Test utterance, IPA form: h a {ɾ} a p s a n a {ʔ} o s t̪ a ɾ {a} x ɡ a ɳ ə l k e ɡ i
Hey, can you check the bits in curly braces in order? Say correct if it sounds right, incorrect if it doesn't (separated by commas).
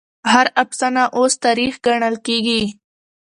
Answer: correct, correct, incorrect